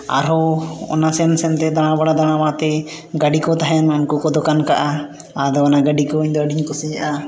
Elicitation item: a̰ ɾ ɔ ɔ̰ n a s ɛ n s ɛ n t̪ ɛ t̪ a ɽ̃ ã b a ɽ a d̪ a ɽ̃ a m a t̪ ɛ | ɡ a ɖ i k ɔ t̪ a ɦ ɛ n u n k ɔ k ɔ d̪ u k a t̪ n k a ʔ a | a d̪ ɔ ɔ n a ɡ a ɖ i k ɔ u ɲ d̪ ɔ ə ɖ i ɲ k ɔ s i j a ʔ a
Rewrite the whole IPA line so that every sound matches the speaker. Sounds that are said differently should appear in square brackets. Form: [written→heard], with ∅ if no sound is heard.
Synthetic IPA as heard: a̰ ɾ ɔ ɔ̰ n a s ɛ n s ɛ n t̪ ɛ [t̪→d̪] a ɽ̃ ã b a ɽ a d̪ a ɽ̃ a m a t̪ ɛ | ɡ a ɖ i k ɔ t̪ a ɦ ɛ n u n k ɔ k ɔ d̪ [u→ɔ] k a [t̪→∅] n k a ʔ a | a d̪ ɔ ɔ n a ɡ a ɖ i k ɔ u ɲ d̪ ɔ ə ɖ i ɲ k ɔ s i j a ʔ a